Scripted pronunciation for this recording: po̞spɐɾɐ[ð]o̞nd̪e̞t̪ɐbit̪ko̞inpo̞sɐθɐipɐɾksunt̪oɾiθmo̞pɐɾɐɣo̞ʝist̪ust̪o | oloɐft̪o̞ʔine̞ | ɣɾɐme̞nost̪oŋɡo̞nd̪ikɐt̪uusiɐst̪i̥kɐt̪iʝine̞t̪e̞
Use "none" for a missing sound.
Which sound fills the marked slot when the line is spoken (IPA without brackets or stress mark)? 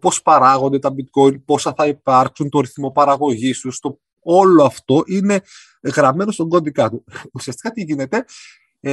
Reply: ɣ